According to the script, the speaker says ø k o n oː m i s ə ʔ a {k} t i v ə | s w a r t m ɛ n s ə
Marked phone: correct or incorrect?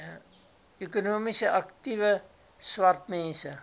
correct